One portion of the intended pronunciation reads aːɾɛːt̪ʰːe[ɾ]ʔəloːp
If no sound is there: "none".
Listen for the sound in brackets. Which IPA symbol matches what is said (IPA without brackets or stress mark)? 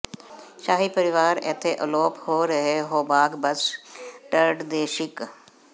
none